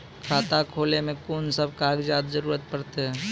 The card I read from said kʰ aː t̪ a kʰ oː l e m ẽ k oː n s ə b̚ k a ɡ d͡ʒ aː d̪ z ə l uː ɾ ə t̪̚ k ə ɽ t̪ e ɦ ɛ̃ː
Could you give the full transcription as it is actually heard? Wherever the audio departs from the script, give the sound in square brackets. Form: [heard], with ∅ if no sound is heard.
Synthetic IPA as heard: kʰ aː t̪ a kʰ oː l e m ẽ k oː n s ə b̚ k a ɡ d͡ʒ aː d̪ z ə [ɾ] uː ɾ ə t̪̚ [p] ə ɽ t̪ e ɦ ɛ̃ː